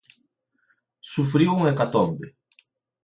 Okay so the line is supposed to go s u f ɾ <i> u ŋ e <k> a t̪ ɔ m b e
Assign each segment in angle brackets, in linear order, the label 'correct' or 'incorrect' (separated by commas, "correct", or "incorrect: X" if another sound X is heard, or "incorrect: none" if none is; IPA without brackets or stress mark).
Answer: correct, correct